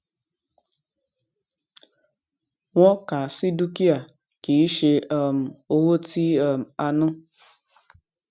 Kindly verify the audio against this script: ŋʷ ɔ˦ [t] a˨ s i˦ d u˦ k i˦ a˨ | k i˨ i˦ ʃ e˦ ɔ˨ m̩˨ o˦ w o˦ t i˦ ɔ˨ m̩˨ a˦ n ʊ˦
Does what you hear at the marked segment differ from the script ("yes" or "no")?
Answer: yes